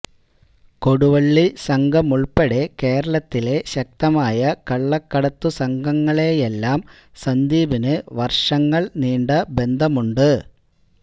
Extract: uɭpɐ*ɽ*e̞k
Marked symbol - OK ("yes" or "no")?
yes